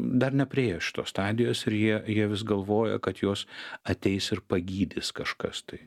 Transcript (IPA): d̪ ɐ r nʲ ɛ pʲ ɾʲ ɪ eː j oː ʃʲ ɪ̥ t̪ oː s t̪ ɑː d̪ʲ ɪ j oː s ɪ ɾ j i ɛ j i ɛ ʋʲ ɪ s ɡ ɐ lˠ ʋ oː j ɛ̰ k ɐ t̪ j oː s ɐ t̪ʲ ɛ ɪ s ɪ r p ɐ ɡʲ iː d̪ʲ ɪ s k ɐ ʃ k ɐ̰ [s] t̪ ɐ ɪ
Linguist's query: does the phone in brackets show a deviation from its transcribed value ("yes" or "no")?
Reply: no